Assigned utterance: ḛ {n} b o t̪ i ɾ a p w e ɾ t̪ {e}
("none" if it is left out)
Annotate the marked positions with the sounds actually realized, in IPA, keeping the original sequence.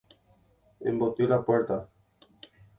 m, a

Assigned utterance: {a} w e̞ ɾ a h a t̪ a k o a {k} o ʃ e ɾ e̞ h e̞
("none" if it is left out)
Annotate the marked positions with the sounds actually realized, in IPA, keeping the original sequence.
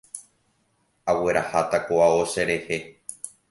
a, none

